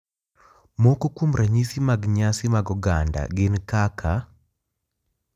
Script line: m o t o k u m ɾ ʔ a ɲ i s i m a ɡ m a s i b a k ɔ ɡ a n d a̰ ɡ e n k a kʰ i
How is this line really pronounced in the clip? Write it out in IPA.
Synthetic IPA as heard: m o k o k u m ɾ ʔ a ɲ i s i m a ɡ ɲ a s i m a ɡ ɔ ɡ a n d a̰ ɡ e n k a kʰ a